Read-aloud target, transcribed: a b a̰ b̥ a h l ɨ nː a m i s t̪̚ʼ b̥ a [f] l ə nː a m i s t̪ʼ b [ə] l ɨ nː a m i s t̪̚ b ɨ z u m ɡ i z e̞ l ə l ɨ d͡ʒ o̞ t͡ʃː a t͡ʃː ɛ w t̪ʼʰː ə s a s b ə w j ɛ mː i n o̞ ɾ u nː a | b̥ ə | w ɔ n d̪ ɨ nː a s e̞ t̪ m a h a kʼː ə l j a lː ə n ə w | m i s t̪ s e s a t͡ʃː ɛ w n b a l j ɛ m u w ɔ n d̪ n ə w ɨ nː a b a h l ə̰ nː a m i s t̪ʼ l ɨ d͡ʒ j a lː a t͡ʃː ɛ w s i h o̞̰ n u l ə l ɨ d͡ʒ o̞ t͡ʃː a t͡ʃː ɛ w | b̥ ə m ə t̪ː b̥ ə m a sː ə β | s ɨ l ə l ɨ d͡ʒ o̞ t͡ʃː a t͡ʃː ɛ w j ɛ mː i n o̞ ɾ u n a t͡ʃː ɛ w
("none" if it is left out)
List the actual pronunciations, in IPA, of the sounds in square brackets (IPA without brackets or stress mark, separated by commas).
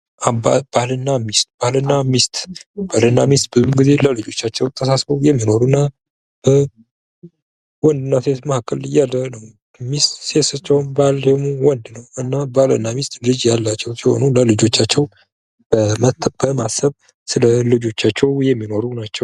h, a